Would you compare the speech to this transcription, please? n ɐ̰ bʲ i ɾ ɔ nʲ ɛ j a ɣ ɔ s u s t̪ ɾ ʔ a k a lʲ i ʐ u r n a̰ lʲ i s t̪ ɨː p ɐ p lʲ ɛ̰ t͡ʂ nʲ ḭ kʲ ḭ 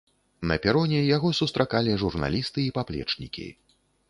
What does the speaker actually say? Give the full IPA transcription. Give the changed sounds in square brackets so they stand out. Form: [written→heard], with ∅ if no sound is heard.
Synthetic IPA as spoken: n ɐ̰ [bʲ→pʲ] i ɾ ɔ nʲ ɛ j a ɣ ɔ s u s t̪ ɾ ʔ a k a lʲ i ʐ u r n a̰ lʲ i s t̪ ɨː p [ɐ→a] p lʲ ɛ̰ t͡ʂ nʲ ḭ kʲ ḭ

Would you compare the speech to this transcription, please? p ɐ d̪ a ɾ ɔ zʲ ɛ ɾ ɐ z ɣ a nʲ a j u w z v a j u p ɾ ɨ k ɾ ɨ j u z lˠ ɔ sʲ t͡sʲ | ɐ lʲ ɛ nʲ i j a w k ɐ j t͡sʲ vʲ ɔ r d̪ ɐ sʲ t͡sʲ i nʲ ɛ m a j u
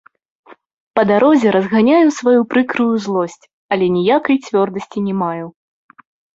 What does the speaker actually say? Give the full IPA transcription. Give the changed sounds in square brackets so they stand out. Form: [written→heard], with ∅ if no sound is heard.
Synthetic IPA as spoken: p ɐ d̪ a ɾ ɔ zʲ ɛ ɾ ɐ z ɣ a nʲ a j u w [z→s] v a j u p ɾ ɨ k ɾ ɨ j u z lˠ ɔ sʲ t͡sʲ | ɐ lʲ ɛ nʲ i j a [w→∅] k ɐ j t͡sʲ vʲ ɔ r d̪ ɐ sʲ t͡sʲ i nʲ ɛ m a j u

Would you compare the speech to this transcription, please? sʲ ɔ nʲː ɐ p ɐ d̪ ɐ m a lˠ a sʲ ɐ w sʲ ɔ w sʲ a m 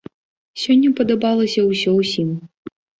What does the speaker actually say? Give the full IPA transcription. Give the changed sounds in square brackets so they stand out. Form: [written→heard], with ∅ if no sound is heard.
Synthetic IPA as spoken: sʲ ɔ nʲː ɐ p ɐ d̪ ɐ [m→b] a lˠ [a→ɐ] sʲ ɐ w sʲ ɔ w sʲ [a→i] m

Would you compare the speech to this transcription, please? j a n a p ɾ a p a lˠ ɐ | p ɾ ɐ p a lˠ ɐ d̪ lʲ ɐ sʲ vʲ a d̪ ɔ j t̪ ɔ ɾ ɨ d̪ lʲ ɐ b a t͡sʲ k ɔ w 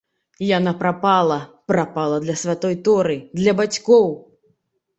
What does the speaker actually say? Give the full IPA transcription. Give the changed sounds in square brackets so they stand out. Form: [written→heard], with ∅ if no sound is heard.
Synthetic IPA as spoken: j a n a p ɾ a p a lˠ ɐ | p ɾ [ɐ→a] p a lˠ ɐ d̪ lʲ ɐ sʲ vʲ a [d̪→t̪] ɔ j t̪ ɔ ɾ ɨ d̪ lʲ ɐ b a t͡sʲ k ɔ w

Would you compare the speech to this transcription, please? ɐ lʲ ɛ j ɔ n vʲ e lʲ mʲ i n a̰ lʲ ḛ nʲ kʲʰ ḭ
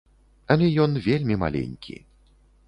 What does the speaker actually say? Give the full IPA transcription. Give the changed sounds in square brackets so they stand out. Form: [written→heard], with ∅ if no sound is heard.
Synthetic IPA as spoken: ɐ lʲ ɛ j ɔ n vʲ e lʲ mʲ i [n→m] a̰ lʲ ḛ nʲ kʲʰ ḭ

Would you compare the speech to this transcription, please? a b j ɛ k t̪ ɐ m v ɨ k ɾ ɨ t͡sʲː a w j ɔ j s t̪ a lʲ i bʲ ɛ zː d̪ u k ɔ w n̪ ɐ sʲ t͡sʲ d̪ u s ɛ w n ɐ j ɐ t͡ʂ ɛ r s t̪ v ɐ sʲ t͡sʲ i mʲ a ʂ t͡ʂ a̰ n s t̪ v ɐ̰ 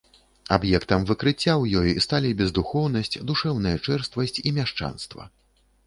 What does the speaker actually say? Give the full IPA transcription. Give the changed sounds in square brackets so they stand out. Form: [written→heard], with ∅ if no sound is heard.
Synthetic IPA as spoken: a b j ɛ k t̪ ɐ m v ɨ k ɾ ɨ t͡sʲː a w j ɔ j s t̪ a lʲ i bʲ ɛ [zː→z] d̪ u [k→x] ɔ w n̪ ɐ sʲ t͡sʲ d̪ u [s→ʂ] ɛ w n ɐ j ɐ t͡ʂ ɛ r s t̪ v ɐ sʲ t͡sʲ i mʲ a ʂ t͡ʂ a̰ n s t̪ v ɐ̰

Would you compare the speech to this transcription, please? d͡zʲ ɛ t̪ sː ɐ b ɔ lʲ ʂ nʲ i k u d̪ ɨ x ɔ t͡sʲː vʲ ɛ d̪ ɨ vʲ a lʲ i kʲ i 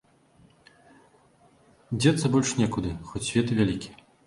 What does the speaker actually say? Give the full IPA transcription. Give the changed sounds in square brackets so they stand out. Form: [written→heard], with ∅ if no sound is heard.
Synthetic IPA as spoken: d͡zʲ ɛ t̪ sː ɐ b ɔ lʲ ʂ nʲ [i→ɛ] k u d̪ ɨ x ɔ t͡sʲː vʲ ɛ [d̪→t̪] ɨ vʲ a lʲ i kʲ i

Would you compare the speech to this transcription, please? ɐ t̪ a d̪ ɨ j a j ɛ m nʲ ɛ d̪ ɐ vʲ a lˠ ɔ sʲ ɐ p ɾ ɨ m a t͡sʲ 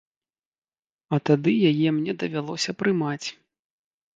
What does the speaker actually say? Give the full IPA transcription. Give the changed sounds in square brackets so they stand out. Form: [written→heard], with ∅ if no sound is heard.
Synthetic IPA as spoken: ɐ t̪ a d̪ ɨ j a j ɛ m nʲ ɛ d̪ ɐ vʲ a lˠ ɔ sʲ ɐ p ɾ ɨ m a t͡sʲ

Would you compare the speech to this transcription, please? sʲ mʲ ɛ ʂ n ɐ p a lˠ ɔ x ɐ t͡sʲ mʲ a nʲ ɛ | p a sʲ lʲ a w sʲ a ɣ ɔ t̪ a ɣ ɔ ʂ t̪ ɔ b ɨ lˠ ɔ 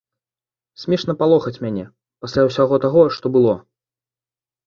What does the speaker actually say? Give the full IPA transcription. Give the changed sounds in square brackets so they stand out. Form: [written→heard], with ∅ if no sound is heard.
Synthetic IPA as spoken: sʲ mʲ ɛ ʂ n ɐ p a lˠ ɔ x ɐ t͡sʲ mʲ a nʲ ɛ | p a sʲ lʲ a w sʲ a ɣ ɔ t̪ a ɣ ɔ ʂ t̪ ɔ b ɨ lˠ ɔ

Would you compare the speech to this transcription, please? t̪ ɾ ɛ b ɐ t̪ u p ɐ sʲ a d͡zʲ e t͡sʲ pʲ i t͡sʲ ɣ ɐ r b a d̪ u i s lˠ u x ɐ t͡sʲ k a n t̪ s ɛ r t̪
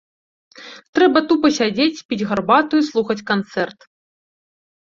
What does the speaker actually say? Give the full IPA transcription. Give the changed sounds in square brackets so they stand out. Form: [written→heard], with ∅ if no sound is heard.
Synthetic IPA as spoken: t̪ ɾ ɛ b ɐ t̪ u p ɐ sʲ a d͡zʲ e t͡sʲ pʲ i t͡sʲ ɣ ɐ r b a [d̪→t̪] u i s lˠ u x ɐ t͡sʲ k a n t̪ s ɛ r t̪

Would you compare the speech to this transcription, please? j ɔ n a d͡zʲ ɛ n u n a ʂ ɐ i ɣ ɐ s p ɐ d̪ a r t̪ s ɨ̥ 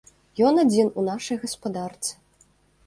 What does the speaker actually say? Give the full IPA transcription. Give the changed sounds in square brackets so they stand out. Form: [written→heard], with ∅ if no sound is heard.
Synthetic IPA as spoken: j ɔ n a d͡zʲ [ɛ→i] n u n a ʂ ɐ [i→j] ɣ ɐ s p [ɐ→a] d̪ a r t̪ s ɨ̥

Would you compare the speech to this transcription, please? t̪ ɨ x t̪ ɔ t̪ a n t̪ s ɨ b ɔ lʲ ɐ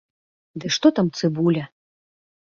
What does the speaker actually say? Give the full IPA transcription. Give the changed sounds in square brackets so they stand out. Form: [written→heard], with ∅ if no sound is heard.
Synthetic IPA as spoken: [t̪→d̪] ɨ [x→ʂ] t̪ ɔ t̪ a [n→m] t̪ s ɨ b [ɔ→u] lʲ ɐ

